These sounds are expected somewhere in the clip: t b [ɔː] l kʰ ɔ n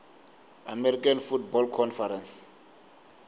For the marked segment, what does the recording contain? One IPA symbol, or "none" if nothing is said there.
ɔ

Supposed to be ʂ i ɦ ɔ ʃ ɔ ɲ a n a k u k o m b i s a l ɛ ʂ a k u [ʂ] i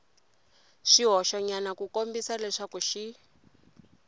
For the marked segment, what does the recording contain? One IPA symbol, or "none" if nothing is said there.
ʃ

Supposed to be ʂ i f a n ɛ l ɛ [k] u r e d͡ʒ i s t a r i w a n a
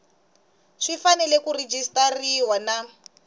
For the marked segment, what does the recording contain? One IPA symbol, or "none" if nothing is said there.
k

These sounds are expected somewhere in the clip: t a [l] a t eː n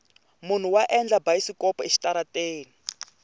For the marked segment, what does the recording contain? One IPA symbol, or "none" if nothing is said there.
ɾ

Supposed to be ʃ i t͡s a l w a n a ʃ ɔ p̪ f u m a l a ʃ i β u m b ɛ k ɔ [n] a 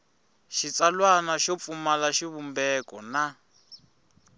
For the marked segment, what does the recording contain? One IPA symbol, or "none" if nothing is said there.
n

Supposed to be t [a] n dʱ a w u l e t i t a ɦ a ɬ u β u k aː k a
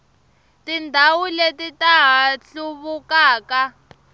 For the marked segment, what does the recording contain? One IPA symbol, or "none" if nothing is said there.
i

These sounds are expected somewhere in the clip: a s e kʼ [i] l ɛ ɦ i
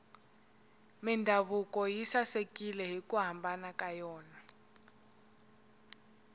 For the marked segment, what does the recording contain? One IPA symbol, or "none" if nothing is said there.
i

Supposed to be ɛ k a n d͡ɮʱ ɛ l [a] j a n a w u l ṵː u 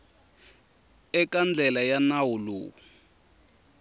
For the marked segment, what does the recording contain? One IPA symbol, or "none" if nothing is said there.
a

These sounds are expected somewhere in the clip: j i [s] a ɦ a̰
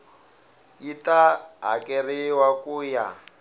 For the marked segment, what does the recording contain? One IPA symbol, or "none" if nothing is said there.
t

